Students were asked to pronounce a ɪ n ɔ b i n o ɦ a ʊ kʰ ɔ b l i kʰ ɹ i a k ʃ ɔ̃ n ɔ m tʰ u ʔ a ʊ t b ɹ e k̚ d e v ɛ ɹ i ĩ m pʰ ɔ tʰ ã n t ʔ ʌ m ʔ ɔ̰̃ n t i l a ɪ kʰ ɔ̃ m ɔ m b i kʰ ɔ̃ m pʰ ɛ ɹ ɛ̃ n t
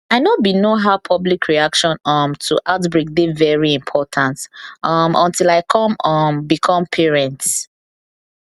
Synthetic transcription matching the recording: a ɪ n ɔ b i n o ɦ a ʊ pʰ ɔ b l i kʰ ɹ i a k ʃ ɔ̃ n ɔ m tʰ u ʔ a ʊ t b ɹ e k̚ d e v ɛ ɹ i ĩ m pʰ ɔ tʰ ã n t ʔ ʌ m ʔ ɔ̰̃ n t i l a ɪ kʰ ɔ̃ m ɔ m b i kʰ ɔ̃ m pʰ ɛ ɹ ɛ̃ n t